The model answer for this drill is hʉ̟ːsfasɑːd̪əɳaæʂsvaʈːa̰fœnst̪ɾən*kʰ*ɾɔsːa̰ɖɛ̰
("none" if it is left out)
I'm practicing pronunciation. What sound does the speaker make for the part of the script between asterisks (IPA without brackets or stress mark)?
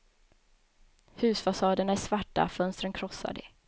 kʰ